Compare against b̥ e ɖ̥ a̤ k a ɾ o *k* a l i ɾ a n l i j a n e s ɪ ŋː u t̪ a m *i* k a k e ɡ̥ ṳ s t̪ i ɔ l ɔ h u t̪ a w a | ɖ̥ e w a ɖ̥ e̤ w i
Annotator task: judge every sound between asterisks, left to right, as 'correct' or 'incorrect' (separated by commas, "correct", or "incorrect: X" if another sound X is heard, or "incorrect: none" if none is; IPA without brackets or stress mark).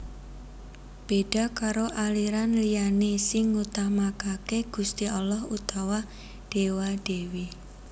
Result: incorrect: ʔ, incorrect: a